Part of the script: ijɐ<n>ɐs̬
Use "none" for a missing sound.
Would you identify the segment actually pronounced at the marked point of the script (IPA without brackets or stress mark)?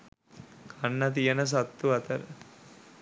n